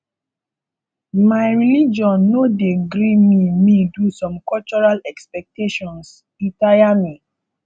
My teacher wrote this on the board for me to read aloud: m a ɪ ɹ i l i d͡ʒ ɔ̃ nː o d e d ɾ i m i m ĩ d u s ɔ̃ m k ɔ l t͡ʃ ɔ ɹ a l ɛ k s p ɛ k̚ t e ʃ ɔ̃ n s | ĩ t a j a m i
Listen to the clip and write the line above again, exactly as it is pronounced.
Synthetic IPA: m a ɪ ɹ i l i d͡ʒ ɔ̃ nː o d e ɡ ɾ i m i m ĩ d u s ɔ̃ m k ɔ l t͡ʃ ɔ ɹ a l ɛ k s p ɛ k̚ t e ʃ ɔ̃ n s | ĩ t a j a m i